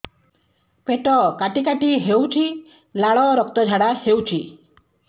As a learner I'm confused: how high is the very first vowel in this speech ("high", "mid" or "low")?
mid